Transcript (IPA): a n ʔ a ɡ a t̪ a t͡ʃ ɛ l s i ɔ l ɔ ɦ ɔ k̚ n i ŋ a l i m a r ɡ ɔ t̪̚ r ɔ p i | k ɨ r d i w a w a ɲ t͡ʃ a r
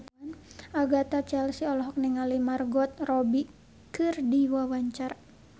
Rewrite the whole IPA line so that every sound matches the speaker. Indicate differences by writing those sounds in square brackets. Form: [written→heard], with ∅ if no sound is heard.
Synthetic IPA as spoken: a n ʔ a ɡ a t̪ a t͡ʃ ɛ l s i ɔ l ɔ ɦ ɔ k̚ n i ŋ a l i m a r ɡ ɔ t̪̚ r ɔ [p→b] i | k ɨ r d i w a w a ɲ t͡ʃ a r

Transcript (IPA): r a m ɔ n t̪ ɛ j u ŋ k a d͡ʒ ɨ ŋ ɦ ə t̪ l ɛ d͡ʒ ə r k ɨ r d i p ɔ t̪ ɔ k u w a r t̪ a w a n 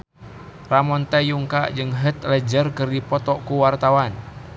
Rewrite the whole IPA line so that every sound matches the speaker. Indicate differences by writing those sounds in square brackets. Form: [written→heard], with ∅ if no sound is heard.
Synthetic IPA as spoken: r a m ɔ n t̪ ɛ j u ŋ k a d͡ʒ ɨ ŋ ɦ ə t̪ l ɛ d͡ʒ ə r k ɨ r d i p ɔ t̪ ɔ k u w a r t̪ a w a n

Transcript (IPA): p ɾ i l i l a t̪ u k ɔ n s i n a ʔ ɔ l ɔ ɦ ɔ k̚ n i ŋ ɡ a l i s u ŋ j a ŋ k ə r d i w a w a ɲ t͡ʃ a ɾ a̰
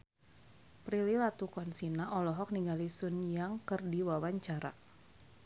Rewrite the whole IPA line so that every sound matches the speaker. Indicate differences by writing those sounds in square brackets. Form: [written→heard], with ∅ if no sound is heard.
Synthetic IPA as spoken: p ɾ i l i l a t̪ u k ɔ n s i n a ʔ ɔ l ɔ ɦ ɔ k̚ n i ŋ ɡ a l i s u [ŋ→n] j a ŋ k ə r d i w a w a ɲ t͡ʃ a ɾ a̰

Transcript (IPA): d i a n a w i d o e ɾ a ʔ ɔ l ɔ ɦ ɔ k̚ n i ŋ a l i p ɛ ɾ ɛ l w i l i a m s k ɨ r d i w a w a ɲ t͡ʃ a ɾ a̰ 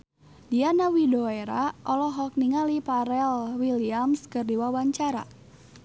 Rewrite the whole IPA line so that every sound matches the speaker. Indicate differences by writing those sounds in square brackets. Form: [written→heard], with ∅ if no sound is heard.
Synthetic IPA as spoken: d i a n a w i d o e ɾ a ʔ ɔ l ɔ ɦ ɔ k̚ n i ŋ a l i p [ɛ→a] ɾ ɛ l w i l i a m s k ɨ r d i w a w a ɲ t͡ʃ a ɾ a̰

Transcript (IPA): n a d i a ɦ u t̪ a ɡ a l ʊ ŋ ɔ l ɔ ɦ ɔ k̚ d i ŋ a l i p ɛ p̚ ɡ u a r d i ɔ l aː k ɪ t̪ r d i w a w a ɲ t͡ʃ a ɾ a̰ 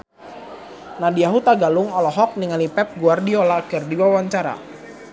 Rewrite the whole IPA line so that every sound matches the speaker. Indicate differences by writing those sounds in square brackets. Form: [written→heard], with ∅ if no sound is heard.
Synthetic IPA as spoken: n a d i a ɦ u t̪ a ɡ a l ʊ ŋ ɔ l ɔ ɦ ɔ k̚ [d→n] i ŋ a l i p ɛ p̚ ɡ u a r d i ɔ l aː k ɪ [t̪→∅] r d i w a w a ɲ t͡ʃ a ɾ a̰

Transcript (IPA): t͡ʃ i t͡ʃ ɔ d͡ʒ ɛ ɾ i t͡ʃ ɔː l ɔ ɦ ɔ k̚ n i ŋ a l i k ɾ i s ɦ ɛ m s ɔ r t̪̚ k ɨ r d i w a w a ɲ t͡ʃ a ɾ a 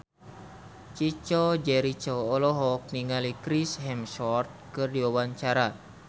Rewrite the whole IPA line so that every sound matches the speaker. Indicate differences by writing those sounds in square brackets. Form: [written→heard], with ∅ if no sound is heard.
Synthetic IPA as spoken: t͡ʃ i t͡ʃ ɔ d͡ʒ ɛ ɾ i t͡ʃ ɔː l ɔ ɦ ɔ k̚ n i ŋ a l i k ɾ i s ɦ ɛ m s ɔ r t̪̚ k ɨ r d i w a w a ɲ t͡ʃ a ɾ a

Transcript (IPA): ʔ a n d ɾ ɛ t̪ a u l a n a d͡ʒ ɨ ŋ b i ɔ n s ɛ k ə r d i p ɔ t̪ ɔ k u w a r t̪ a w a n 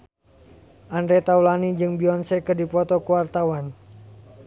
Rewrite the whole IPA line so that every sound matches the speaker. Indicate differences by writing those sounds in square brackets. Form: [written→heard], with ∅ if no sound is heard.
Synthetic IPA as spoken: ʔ a n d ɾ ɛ t̪ a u l a n [a→i] d͡ʒ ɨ ŋ b i ɔ n s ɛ k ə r d i p ɔ t̪ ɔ k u w a r t̪ a w a n

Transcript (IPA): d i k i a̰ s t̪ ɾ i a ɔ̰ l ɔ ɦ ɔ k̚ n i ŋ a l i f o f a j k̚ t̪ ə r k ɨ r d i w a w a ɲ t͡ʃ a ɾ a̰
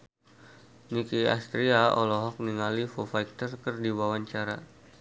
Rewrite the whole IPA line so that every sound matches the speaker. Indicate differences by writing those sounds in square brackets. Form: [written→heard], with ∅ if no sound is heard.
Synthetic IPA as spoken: [d→n] i k i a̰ s t̪ ɾ i a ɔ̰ l ɔ ɦ ɔ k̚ n i ŋ a l i f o f a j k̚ t̪ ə r k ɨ r d i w a w a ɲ t͡ʃ a ɾ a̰

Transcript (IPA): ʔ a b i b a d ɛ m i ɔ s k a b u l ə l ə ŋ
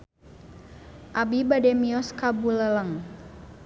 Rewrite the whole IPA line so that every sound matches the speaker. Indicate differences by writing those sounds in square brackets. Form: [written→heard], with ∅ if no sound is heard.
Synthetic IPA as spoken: ʔ a b i b a d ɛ m i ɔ s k a b u l ə l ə ŋ

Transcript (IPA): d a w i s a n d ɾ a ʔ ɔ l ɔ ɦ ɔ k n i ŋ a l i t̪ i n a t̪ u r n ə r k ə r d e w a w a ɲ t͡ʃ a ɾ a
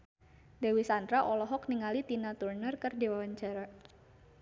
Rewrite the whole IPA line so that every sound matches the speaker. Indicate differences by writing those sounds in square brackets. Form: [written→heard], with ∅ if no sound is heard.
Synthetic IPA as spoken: d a w i s a n d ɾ a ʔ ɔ l ɔ ɦ ɔ k n i ŋ a l i t̪ i n a t̪ u r n ə r k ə r d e w a w a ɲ t͡ʃ a ɾ a

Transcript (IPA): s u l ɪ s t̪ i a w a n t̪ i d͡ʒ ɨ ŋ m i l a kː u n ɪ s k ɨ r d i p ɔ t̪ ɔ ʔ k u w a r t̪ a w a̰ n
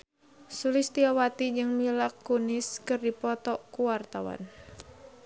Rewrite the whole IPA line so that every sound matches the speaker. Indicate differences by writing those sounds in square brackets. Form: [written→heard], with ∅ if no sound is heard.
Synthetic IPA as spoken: s u l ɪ s t̪ i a w a [n→∅] t̪ i d͡ʒ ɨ ŋ m i l a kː u n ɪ s k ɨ r d i p ɔ t̪ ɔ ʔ k u w a r t̪ a w a̰ n

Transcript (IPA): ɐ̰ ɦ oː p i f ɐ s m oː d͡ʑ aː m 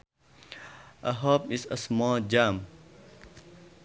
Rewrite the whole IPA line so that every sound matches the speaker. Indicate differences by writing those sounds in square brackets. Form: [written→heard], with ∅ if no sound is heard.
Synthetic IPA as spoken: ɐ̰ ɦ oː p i [f→s] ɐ s m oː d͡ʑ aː m

